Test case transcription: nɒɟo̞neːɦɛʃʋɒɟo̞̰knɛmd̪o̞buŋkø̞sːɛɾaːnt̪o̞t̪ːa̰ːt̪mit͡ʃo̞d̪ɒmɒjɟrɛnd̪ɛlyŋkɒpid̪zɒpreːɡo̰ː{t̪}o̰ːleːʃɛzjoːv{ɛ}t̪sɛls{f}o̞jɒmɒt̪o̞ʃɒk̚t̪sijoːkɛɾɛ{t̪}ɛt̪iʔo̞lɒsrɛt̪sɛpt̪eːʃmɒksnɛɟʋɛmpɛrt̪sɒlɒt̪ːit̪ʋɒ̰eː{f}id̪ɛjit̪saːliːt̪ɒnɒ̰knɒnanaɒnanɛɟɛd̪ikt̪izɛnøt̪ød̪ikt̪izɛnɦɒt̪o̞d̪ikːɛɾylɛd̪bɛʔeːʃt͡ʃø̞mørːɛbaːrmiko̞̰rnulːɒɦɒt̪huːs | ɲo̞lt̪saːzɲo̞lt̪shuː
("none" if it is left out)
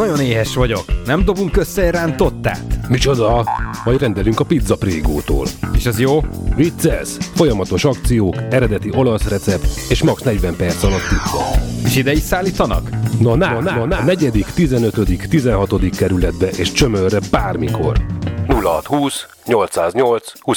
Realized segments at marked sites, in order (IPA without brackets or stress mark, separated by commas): t̪, i, f, d̪, ʃ